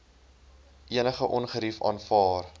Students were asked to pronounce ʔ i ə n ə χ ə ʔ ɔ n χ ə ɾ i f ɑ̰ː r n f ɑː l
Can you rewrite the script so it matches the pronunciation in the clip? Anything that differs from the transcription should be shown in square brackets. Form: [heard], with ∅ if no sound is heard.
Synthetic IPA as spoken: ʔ i ə n ə χ ə ʔ ɔ n χ ə ɾ i f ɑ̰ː [∅] n f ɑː [r]